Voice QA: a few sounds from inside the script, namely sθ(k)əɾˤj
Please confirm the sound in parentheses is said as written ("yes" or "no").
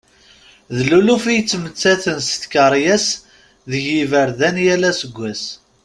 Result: yes